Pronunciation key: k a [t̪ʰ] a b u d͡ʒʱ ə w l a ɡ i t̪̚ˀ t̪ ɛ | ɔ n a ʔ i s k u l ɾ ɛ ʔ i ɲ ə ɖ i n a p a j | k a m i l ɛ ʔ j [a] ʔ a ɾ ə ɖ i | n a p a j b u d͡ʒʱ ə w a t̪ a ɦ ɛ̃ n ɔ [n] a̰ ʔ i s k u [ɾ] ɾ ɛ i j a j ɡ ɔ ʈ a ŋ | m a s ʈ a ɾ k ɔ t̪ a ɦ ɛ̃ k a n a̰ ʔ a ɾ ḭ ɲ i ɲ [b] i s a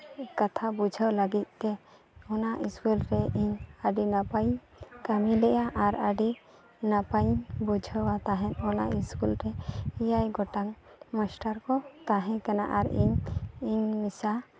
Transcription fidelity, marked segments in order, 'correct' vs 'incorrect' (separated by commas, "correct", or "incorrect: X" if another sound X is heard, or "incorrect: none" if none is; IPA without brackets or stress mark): correct, correct, correct, incorrect: l, incorrect: m